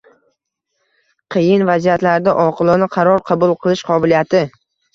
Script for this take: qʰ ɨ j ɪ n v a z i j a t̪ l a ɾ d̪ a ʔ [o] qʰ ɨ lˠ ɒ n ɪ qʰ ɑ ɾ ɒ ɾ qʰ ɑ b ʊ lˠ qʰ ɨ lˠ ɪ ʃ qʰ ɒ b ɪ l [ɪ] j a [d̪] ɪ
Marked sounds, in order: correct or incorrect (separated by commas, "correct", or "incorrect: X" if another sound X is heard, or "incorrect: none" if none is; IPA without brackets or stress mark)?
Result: incorrect: ɒ, incorrect: i, incorrect: t̪